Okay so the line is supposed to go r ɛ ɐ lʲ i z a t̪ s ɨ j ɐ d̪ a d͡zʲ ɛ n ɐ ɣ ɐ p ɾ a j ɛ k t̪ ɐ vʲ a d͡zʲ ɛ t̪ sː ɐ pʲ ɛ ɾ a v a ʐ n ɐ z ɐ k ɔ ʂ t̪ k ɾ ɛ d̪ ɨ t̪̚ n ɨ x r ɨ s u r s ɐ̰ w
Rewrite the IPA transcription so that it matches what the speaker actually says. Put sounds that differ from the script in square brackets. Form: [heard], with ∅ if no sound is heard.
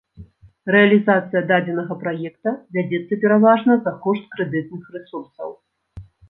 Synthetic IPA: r ɛ ɐ lʲ i z a t̪ s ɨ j ɐ d̪ a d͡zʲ ɛ n ɐ ɣ ɐ p ɾ a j ɛ k t̪ ɐ vʲ a d͡zʲ ɛ t̪ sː ɐ pʲ ɛ ɾ a v a ʐ n ɐ z ɐ k ɔ ʂ t̪ k ɾ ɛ d̪ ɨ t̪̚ n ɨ x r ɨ s u r s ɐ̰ w